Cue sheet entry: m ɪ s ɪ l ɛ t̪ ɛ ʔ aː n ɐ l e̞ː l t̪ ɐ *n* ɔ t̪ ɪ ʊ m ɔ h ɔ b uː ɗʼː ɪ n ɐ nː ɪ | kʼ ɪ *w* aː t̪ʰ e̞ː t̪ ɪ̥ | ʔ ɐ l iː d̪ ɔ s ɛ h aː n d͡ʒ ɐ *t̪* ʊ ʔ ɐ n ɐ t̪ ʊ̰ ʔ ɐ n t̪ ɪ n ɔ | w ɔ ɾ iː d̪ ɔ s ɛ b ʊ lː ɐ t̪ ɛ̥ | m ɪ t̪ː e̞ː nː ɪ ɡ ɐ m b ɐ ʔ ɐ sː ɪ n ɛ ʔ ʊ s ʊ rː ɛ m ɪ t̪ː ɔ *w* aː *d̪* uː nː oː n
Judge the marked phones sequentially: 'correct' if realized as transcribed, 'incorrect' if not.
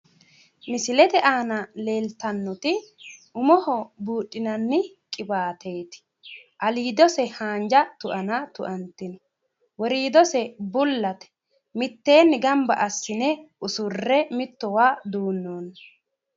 incorrect, incorrect, correct, correct, correct

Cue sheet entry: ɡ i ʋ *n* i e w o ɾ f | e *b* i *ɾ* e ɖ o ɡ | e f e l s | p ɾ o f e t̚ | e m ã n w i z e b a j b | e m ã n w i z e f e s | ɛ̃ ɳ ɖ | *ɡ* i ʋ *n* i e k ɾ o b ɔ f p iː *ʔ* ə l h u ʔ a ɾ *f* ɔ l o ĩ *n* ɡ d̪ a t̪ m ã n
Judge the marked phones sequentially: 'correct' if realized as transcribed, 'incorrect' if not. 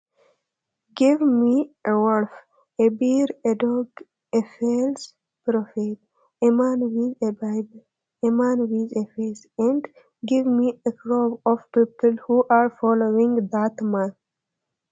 incorrect, correct, correct, correct, incorrect, incorrect, correct, incorrect

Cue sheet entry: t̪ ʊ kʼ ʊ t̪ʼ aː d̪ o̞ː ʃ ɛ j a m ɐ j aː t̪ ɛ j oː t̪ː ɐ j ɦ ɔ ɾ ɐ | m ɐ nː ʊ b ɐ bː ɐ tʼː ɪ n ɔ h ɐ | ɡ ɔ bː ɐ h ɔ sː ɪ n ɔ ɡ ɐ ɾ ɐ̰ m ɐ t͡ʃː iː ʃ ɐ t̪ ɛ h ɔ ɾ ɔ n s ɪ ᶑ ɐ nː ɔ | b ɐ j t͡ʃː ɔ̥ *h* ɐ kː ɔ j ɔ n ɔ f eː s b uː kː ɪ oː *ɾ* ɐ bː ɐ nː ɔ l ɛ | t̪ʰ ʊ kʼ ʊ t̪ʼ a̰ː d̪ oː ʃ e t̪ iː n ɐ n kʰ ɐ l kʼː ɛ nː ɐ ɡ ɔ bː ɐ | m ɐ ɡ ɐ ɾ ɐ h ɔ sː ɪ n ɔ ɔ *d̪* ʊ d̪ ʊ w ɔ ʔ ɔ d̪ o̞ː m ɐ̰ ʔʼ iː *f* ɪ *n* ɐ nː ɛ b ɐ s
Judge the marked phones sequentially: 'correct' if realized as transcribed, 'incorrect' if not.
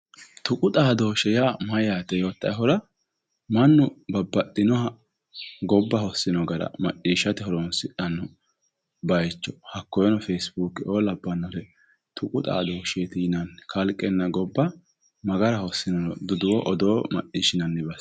correct, incorrect, correct, incorrect, correct

